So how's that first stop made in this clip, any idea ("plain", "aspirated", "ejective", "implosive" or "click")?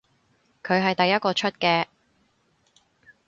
aspirated